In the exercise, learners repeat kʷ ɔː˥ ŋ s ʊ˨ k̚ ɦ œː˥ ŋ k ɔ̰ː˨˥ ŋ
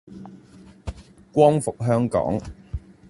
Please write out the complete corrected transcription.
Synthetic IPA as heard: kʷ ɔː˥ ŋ f ʊ˨ k̚ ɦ œː˥ ŋ k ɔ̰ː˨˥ ŋ